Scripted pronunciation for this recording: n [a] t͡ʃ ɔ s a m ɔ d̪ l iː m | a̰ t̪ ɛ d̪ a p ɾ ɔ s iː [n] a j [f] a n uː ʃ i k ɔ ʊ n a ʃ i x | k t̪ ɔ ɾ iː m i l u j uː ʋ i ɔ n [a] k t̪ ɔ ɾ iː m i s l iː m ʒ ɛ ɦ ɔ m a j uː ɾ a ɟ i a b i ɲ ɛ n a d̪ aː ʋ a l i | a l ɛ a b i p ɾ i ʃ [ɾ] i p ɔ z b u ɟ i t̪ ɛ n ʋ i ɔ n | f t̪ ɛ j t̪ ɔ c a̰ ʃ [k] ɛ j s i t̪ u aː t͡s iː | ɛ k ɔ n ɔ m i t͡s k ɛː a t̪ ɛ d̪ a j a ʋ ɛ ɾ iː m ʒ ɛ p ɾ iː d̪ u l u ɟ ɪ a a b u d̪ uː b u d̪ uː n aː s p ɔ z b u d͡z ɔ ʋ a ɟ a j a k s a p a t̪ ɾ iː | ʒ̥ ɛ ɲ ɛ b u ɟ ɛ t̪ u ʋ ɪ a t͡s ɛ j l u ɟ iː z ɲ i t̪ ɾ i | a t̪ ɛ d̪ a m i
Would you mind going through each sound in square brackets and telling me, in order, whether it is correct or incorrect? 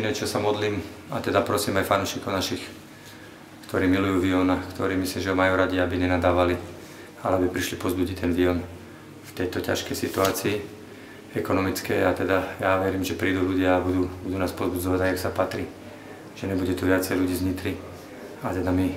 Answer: incorrect: ɛ, incorrect: m, correct, correct, incorrect: l, correct

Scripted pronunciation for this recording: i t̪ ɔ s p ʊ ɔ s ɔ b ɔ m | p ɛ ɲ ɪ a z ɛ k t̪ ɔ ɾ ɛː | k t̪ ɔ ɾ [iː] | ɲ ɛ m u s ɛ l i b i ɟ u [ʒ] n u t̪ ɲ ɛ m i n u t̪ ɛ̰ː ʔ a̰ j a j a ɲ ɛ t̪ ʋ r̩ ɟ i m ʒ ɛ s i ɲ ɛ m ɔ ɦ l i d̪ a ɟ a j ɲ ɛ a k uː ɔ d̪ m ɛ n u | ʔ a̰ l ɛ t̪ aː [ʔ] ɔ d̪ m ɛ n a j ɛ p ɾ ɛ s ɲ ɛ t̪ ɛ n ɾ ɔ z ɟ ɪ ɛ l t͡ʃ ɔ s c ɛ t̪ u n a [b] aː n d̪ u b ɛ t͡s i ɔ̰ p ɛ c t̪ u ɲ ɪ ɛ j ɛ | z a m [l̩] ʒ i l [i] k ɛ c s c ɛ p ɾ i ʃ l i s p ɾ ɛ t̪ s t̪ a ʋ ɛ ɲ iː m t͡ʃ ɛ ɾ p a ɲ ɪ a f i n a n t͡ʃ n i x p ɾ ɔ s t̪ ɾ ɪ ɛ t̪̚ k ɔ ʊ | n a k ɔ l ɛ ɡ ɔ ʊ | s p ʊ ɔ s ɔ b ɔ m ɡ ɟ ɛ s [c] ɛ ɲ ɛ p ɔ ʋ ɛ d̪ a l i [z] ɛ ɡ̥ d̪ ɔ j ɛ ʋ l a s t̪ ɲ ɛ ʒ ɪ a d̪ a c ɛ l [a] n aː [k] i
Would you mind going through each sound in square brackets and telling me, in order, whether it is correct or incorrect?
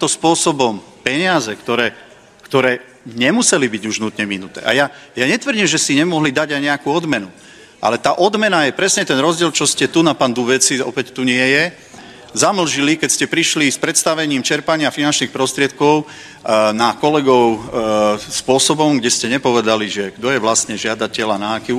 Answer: incorrect: ɛː, correct, correct, incorrect: p, correct, correct, correct, incorrect: ʒ, correct, correct

